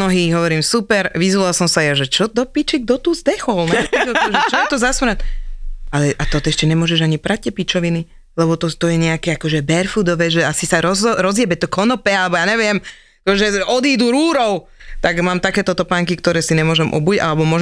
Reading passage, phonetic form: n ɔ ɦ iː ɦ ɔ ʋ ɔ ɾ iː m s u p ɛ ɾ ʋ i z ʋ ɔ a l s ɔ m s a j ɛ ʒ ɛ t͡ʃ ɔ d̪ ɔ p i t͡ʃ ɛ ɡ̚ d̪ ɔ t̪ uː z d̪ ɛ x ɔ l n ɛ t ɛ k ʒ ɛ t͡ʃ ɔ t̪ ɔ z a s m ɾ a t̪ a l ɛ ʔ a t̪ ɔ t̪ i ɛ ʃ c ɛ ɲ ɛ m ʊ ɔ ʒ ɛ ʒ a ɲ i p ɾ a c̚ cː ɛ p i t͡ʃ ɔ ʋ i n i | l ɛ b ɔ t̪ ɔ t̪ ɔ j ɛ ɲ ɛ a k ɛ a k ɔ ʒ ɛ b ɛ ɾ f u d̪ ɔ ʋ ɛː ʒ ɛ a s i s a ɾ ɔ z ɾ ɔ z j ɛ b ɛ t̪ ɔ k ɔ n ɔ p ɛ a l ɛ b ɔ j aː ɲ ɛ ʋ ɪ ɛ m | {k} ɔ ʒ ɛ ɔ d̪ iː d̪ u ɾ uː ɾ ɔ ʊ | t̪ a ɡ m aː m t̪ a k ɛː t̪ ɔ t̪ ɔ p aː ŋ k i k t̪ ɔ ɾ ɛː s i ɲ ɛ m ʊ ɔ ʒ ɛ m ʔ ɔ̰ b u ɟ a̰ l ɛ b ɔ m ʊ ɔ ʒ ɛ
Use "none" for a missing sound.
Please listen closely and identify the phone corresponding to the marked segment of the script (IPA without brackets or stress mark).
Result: k